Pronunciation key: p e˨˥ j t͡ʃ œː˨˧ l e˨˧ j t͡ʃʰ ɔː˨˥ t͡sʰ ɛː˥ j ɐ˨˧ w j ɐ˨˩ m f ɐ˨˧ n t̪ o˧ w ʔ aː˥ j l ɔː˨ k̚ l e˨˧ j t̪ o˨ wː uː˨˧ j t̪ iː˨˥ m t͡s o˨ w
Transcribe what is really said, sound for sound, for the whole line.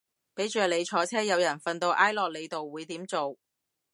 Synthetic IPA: p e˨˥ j t͡ʃ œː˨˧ l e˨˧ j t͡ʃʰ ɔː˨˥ t͡sʰ ɛː˥ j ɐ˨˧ w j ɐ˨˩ n f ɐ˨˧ n t̪ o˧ w ʔ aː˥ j l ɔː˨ k̚ l e˨˧ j t̪ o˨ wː uː˨˧ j t̪ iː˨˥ m t͡s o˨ w